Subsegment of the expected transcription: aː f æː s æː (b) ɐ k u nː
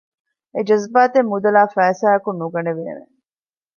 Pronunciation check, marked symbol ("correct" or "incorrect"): incorrect